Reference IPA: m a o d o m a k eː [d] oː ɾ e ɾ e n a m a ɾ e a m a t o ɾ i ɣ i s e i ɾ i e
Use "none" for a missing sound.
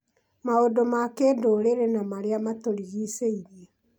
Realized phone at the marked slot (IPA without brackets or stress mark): d